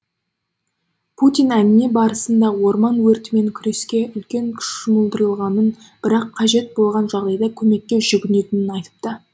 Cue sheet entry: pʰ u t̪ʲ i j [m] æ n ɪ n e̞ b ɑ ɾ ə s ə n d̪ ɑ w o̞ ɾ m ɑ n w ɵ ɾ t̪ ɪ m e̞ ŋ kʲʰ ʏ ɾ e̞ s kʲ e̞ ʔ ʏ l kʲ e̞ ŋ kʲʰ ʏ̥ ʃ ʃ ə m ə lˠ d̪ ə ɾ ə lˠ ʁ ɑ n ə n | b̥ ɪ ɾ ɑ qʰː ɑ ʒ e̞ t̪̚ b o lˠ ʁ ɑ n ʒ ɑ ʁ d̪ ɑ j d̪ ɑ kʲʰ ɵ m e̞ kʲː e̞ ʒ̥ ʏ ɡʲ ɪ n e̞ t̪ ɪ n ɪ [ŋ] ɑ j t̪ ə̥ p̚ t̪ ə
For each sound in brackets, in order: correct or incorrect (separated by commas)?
incorrect, incorrect